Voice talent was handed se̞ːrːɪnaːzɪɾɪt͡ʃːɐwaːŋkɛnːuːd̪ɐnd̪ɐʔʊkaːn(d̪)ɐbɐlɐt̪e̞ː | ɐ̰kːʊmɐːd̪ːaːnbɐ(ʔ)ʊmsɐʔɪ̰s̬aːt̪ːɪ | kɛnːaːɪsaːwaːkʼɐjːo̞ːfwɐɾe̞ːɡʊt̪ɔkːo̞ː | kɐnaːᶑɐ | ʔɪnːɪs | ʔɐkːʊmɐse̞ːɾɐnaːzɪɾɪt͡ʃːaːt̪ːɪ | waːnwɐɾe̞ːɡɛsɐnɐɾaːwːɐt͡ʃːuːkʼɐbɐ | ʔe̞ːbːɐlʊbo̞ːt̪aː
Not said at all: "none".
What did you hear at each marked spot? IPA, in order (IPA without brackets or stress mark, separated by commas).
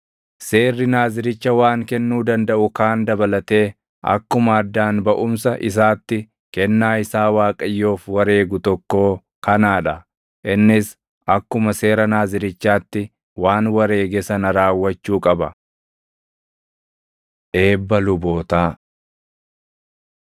d̪, ʔ